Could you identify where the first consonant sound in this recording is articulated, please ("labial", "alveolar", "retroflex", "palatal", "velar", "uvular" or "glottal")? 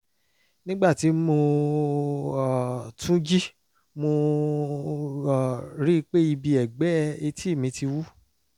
alveolar